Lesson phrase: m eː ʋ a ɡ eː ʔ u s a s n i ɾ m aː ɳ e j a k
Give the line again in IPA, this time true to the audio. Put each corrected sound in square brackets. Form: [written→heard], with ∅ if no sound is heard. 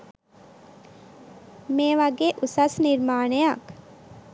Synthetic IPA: m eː ʋ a ɡ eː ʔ u s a s n i ɾ m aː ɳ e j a k